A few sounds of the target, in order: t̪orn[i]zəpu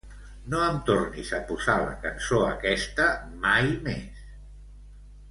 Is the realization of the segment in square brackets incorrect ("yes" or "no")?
no